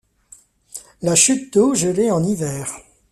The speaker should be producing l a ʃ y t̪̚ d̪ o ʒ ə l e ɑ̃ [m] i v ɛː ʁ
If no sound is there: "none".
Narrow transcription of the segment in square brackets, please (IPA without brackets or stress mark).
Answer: n